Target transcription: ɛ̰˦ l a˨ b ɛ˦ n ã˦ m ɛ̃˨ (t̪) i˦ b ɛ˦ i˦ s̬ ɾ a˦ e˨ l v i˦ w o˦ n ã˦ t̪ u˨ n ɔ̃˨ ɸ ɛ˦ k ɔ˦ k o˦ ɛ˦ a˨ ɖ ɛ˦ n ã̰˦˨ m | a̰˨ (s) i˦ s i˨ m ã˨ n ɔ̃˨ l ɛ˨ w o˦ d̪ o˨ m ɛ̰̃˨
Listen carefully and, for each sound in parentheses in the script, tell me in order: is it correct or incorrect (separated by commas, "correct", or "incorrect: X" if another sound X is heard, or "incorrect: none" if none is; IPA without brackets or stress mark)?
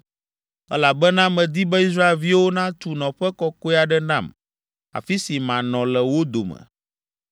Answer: incorrect: d̪, incorrect: f